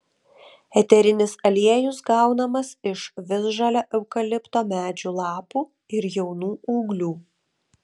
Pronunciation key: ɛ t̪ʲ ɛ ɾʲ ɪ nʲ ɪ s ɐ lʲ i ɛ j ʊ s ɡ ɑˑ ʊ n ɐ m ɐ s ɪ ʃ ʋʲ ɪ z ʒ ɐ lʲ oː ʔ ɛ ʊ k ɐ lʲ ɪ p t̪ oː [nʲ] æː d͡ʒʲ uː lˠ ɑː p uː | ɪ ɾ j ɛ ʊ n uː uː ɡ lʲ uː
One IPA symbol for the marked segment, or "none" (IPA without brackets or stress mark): mʲ